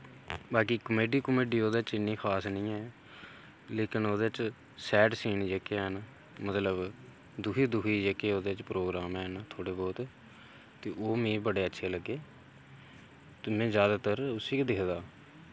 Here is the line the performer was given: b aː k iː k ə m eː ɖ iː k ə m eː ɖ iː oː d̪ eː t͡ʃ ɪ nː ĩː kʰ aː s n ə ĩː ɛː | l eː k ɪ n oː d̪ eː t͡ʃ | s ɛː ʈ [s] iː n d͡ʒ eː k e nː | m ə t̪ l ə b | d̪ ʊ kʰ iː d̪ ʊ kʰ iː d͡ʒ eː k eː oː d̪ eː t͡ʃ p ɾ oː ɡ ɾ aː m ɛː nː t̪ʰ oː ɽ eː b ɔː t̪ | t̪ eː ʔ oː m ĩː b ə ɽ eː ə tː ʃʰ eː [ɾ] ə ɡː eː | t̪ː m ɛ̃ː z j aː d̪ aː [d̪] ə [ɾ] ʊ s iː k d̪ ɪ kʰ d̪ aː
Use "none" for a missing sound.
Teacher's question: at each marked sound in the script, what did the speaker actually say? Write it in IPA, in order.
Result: s, l, t̪, ɾ

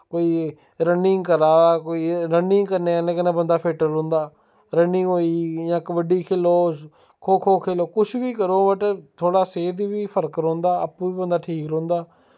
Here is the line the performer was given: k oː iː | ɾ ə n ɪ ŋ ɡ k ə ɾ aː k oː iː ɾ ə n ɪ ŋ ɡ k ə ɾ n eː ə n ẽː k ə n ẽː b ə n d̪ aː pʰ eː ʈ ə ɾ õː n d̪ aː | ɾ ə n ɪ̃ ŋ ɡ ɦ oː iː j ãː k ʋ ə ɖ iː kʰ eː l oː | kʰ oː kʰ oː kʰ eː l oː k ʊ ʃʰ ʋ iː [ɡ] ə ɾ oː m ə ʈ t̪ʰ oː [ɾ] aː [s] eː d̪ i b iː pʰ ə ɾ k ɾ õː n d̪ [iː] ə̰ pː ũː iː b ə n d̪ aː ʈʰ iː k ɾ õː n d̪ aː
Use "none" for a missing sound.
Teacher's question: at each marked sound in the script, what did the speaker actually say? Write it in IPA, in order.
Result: k, ɽ, s, aː

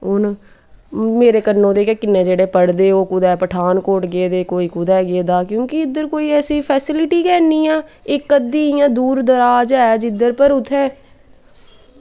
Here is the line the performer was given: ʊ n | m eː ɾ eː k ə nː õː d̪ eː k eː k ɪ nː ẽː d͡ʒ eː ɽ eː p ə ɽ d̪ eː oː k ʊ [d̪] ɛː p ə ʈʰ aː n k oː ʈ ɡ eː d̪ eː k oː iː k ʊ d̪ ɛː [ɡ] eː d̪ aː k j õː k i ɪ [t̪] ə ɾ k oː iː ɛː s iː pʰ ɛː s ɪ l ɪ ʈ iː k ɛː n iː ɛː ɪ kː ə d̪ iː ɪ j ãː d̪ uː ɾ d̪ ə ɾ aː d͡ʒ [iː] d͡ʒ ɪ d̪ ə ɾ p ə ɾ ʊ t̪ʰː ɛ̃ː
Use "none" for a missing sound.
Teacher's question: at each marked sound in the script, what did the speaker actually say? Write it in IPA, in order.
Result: d̪, ɡ, d̪, ɛː

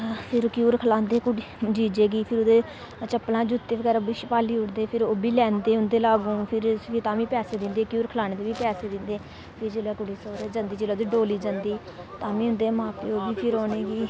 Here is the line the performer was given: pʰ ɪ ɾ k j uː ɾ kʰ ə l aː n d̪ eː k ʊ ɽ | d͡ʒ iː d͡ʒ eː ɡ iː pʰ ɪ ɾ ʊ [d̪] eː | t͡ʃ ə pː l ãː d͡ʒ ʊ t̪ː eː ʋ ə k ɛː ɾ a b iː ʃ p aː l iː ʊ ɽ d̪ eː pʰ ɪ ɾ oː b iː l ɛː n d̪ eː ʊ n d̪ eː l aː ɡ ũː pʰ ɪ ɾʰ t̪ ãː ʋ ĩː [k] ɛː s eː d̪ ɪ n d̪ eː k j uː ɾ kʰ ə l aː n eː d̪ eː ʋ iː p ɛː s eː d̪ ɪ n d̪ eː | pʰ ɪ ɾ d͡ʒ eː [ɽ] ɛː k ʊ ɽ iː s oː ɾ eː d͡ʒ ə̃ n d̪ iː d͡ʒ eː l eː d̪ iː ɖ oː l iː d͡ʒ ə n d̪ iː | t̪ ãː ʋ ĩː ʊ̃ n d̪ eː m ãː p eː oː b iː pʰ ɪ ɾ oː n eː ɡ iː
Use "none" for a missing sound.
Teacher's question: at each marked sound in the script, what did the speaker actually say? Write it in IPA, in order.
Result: d̪, p, l

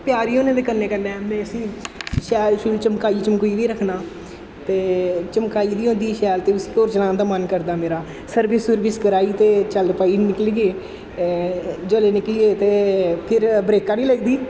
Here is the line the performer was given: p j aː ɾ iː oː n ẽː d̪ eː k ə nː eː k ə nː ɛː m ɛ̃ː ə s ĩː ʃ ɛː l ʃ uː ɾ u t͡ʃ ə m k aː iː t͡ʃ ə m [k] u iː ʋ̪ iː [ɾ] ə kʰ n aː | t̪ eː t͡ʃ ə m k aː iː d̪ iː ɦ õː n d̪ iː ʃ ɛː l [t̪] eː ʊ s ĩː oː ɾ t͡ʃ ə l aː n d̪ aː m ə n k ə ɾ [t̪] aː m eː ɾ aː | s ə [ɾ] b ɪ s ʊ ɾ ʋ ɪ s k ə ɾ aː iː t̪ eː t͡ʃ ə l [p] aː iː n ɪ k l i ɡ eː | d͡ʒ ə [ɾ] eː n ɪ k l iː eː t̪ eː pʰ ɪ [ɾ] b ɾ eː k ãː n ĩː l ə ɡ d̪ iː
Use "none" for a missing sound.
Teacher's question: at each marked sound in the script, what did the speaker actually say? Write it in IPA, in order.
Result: k, ɾ, t̪, d̪, ɾ, p, l, ɾ

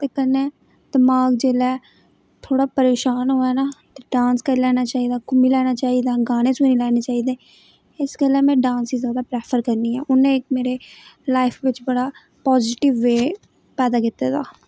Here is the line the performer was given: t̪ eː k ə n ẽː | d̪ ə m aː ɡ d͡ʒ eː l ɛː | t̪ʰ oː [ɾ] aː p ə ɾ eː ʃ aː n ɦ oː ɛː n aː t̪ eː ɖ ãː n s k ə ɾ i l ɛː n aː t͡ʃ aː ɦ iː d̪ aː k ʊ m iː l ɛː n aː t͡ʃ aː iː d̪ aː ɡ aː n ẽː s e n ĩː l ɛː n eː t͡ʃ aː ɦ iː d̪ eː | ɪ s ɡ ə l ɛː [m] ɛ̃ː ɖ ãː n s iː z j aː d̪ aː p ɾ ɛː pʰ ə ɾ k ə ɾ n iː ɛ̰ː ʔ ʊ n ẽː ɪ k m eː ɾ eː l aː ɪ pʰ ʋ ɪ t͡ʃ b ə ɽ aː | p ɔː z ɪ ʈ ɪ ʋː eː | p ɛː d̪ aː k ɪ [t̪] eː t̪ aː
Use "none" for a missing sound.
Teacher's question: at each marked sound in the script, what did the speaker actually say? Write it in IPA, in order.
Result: ɽ, m, t̪

